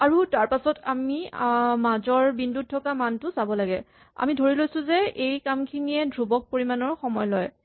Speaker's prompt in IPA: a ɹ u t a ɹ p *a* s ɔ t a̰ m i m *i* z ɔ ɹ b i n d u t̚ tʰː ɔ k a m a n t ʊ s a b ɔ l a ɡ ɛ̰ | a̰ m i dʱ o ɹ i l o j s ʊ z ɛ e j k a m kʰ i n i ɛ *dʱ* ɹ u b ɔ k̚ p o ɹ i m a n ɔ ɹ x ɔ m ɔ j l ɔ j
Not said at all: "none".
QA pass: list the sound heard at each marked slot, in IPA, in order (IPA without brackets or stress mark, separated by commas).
a, a, dʱ